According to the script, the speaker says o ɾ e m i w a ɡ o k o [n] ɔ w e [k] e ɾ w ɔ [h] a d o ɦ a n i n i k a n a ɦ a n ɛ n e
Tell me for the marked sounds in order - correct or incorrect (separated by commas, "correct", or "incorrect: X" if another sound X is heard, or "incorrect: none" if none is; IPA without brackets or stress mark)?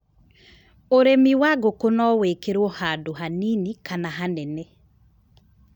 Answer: correct, correct, correct